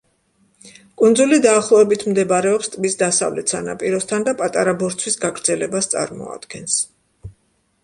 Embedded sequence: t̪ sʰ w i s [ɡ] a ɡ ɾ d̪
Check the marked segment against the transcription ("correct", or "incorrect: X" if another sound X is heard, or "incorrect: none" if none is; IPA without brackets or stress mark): correct